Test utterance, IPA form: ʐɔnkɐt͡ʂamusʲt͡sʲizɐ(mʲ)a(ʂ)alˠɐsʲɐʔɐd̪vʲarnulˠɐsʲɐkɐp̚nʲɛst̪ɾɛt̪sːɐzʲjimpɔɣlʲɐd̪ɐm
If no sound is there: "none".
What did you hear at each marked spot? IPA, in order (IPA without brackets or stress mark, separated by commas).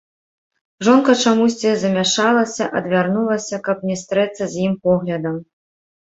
mʲ, ʂ